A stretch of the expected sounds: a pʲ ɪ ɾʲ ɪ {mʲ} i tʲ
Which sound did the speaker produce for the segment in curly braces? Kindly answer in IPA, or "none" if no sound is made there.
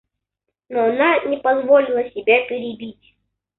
bʲ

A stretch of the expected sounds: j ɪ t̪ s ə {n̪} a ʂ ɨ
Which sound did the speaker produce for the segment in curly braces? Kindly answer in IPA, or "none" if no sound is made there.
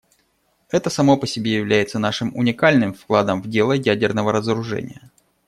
n̪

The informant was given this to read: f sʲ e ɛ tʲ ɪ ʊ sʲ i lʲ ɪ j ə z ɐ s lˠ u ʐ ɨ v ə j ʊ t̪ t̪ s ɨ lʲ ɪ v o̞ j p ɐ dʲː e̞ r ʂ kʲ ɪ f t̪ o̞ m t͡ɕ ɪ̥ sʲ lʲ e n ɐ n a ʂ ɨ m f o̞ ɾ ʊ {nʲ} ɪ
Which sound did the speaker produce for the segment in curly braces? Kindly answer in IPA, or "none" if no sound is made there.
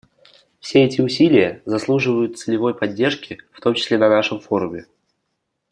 mʲ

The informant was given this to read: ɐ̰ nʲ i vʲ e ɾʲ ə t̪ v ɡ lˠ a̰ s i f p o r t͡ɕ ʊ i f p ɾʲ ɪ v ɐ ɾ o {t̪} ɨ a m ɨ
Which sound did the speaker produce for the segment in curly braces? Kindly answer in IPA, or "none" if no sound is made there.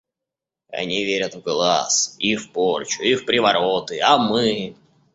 t̪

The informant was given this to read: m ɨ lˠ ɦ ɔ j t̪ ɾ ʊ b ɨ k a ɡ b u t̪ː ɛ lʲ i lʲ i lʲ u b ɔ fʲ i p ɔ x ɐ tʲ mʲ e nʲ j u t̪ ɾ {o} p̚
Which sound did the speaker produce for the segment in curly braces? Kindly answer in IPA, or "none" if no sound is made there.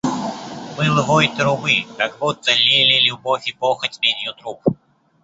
u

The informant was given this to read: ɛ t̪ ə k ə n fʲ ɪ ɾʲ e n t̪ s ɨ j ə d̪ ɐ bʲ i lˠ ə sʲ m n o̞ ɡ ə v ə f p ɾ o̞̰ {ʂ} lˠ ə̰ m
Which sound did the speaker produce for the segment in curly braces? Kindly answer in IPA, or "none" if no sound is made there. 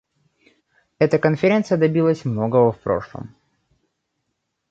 ʂ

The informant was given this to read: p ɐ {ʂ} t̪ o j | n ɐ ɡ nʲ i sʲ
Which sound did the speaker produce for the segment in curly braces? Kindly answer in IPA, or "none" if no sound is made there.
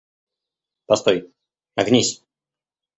s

